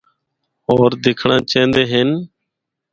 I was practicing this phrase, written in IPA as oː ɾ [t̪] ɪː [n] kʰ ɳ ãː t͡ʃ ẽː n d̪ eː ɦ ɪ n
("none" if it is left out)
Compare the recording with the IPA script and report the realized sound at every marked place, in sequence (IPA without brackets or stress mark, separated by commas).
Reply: d̪, none